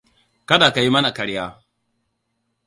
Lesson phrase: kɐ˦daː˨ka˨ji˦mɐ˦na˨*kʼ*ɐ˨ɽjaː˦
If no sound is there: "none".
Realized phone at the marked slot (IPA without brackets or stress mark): k